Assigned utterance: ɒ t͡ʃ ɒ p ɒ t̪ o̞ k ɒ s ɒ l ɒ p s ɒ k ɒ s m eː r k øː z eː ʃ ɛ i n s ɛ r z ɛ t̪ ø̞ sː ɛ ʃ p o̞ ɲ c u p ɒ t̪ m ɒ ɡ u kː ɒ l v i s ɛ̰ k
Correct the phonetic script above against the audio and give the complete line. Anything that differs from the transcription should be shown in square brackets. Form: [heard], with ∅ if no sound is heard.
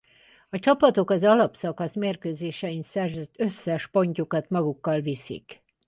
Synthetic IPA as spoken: ɒ t͡ʃ ɒ p ɒ t̪ o̞ k ɒ [z] ɒ l ɒ p s ɒ k ɒ s m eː r k øː z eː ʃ ɛ i n s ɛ r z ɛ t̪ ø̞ sː ɛ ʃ p o̞ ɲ c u [k] ɒ t̪ m ɒ ɡ u kː ɒ l v i s [ḭ] k